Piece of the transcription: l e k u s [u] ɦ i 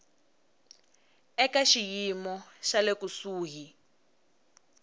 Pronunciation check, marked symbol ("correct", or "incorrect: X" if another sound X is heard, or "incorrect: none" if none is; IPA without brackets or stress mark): incorrect: uː